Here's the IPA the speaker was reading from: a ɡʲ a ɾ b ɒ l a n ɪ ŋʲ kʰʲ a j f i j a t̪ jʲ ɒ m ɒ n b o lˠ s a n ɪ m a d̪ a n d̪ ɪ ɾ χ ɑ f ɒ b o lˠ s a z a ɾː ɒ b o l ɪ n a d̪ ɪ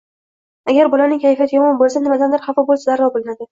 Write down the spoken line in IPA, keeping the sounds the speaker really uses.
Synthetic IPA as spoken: a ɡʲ a ɾ b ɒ l a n ɪ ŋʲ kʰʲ a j f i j a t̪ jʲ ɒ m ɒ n b o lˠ s a n ɪ m a d̪ a n d̪ ɪ ɾ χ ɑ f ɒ b o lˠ s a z a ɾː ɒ b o l ɪ n a d̪ ɪ